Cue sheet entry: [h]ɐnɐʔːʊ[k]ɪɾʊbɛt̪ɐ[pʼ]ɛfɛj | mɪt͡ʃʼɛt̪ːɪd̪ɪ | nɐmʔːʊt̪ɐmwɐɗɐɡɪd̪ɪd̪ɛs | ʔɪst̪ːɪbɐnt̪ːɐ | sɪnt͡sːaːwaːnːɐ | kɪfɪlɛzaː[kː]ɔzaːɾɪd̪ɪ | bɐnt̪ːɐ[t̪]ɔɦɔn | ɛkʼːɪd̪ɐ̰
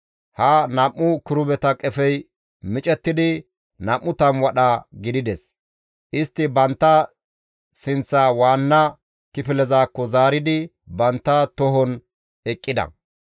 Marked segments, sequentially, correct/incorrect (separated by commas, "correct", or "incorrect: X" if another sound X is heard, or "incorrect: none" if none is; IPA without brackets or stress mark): correct, correct, incorrect: kʼ, correct, correct